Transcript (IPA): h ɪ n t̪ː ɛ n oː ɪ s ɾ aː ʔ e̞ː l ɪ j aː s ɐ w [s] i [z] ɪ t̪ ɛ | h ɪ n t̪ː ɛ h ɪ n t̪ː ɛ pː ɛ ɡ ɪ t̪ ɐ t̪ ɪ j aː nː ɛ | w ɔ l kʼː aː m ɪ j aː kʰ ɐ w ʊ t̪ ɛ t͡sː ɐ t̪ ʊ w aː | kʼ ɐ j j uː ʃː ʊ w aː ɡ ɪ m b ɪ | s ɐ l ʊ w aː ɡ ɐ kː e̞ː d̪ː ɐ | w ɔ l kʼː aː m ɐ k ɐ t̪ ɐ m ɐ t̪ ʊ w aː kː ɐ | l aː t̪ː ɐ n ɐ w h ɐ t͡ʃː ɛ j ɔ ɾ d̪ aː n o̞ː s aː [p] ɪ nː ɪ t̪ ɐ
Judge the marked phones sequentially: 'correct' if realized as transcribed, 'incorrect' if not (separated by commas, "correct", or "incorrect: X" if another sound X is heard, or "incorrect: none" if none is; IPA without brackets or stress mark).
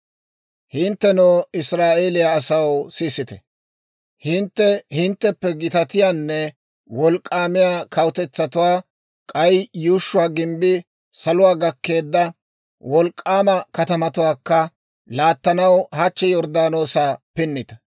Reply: correct, incorrect: s, correct